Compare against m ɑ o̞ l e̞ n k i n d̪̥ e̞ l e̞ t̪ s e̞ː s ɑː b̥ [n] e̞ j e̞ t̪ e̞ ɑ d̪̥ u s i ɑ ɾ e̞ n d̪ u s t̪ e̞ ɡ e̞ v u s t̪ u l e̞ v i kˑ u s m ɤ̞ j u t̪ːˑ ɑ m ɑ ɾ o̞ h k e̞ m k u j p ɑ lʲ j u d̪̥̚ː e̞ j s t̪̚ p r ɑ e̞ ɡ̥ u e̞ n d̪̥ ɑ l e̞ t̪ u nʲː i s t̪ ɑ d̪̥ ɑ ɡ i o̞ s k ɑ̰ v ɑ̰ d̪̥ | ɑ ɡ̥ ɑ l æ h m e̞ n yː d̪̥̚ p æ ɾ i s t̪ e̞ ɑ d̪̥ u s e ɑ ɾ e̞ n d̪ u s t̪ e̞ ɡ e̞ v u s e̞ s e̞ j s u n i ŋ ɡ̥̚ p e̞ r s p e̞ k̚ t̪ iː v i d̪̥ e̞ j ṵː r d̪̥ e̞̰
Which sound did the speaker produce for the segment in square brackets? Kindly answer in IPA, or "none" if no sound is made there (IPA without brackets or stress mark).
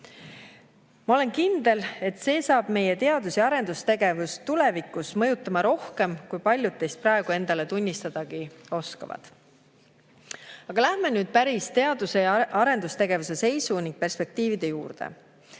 m